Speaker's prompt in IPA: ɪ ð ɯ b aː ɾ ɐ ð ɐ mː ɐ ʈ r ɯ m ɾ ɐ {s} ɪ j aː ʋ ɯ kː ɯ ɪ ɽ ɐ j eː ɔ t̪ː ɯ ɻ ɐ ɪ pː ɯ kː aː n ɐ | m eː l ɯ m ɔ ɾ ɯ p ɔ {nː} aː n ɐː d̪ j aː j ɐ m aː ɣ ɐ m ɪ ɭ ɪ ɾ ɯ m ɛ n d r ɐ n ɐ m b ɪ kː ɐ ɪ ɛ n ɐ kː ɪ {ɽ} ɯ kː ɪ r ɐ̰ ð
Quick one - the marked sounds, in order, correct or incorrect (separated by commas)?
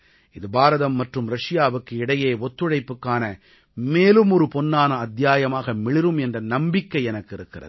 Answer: incorrect, correct, incorrect